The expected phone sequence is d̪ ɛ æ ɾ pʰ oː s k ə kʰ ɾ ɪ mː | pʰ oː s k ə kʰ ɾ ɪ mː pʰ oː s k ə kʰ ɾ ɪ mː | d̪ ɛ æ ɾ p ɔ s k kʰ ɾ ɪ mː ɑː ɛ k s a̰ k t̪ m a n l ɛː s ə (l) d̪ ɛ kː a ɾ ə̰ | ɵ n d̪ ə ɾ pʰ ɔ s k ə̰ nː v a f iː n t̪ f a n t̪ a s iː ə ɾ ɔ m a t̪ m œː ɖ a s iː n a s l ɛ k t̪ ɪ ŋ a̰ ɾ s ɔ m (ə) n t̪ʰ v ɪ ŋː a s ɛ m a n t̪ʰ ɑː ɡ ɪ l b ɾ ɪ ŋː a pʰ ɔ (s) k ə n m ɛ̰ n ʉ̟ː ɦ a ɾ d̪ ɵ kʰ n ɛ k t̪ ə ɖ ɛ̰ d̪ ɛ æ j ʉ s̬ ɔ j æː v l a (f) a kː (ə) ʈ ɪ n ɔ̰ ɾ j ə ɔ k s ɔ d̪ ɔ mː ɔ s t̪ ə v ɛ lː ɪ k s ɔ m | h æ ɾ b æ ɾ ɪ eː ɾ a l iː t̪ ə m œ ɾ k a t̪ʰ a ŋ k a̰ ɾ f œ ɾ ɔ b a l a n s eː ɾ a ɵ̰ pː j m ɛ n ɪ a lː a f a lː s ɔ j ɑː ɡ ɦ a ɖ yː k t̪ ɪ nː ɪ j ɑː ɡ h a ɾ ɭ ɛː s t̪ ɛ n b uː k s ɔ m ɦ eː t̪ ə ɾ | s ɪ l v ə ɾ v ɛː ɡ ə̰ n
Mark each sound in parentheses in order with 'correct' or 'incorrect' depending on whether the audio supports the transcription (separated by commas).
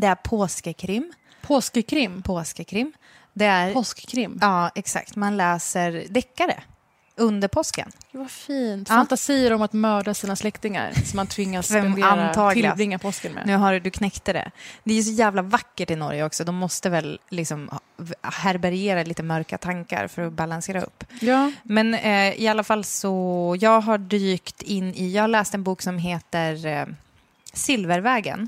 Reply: incorrect, incorrect, correct, incorrect, correct